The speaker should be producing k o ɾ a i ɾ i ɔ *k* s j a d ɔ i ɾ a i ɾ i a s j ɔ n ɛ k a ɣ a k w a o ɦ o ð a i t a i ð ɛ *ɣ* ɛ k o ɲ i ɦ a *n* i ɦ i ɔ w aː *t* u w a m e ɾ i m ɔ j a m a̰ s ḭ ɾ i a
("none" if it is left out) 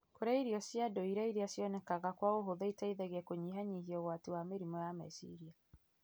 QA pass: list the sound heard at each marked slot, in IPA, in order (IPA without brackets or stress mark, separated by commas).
none, ɣ, ɲ, t